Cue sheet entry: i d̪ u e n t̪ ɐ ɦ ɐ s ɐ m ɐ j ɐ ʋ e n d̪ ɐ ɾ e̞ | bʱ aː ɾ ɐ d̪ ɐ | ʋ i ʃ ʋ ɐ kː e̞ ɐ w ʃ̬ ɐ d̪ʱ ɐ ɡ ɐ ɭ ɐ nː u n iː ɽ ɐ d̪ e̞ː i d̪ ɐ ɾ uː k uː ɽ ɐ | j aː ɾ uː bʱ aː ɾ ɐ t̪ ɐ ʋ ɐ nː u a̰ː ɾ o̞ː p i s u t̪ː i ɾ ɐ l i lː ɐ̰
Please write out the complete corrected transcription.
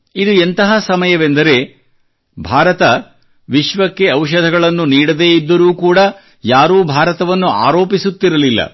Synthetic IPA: i d̪ u e n t̪ ɐ ɦ ɐ s ɐ m ɐ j ɐ ʋ e n d̪ ɐ ɾ e̞ | bʱ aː ɾ ɐ t̪ ɐ | ʋ i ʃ ʋ ɐ kː e̞ ɐ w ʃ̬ ɐ d̪ʱ ɐ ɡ ɐ ɭ ɐ nː u n iː ɽ ɐ d̪ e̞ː i d̪ː ɐ ɾ uː k uː ɽ ɐ | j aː ɾ uː bʱ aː ɾ ɐ t̪ ɐ ʋ ɐ nː u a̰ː ɾ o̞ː p i s u t̪ː i ɾ ɐ l i lː ɐ̰